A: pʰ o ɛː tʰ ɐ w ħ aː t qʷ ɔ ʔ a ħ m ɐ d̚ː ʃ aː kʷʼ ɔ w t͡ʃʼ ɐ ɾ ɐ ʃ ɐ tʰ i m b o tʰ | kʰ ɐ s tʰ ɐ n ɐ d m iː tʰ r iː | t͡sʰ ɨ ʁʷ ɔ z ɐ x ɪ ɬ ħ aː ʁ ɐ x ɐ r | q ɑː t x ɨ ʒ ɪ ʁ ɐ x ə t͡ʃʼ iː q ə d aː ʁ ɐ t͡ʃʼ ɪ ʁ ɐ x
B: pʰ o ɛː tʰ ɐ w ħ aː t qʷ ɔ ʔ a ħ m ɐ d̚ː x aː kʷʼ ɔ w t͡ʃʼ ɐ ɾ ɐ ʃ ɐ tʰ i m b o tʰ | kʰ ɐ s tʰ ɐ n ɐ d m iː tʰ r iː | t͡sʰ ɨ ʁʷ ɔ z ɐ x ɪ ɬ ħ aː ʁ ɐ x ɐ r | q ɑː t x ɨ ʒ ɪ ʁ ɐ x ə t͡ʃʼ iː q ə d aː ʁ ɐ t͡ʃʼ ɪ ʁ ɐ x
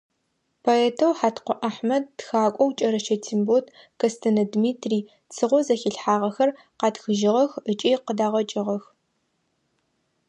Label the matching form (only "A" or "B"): B